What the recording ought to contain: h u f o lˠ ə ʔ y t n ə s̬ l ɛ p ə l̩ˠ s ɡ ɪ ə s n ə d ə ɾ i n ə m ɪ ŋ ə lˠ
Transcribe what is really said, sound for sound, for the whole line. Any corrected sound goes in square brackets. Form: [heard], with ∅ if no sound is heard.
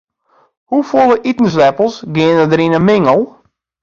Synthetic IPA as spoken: h u f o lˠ ə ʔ [i] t n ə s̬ l ɛ p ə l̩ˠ s ɡ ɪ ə [∅] n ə d ə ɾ i n ə m ɪ ŋ ə lˠ